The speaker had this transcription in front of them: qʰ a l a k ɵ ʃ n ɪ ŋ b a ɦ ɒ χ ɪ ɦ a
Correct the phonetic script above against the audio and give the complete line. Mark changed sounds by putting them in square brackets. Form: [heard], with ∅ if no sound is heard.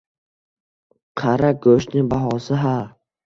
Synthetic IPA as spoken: qʰ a [ɾ] a [ɡ] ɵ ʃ n ɪ ŋ b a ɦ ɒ [s] ɪ ɦ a